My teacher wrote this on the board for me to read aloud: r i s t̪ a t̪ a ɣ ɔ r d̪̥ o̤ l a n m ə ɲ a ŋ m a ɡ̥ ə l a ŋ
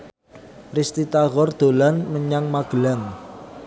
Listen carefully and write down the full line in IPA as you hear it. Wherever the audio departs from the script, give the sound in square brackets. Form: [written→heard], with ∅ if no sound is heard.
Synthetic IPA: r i s t̪ [a→i] t̪ a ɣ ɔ r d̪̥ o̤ l a n m ə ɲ a ŋ m a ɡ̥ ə l a ŋ